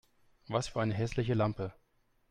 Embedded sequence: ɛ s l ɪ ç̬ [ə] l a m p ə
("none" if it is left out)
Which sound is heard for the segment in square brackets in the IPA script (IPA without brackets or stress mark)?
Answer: ə